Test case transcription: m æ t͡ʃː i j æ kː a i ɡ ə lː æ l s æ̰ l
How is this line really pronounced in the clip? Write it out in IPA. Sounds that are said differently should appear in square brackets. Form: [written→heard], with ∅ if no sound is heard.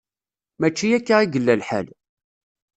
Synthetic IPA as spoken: m æ t͡ʃː i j æ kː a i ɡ ə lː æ l [s→ħ] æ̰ l